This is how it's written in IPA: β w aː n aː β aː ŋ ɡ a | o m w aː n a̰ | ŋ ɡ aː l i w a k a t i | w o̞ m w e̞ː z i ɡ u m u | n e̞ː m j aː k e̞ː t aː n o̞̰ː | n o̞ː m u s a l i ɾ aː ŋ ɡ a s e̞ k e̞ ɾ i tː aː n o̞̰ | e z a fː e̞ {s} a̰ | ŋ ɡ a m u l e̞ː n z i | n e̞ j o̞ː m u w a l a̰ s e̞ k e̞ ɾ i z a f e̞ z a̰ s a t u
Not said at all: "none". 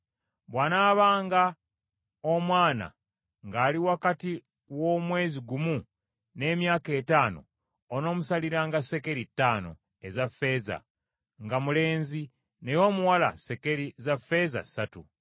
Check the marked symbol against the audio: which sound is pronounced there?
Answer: z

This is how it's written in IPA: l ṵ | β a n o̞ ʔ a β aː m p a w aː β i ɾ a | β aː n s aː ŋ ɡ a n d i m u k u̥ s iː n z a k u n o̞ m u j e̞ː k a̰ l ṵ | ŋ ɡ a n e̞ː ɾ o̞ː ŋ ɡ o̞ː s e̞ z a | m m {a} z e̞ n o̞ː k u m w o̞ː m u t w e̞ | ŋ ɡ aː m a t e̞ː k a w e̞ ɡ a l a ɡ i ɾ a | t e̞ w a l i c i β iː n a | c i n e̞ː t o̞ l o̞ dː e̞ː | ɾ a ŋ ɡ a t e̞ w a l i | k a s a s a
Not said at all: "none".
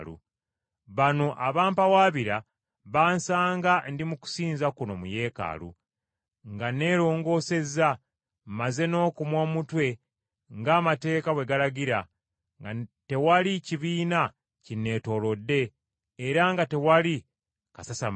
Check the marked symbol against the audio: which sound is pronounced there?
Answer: a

